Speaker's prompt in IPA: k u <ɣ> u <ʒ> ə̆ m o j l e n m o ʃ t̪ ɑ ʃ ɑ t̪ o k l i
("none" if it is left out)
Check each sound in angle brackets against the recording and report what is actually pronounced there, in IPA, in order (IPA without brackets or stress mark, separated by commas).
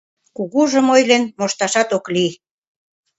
ɣ, ʒ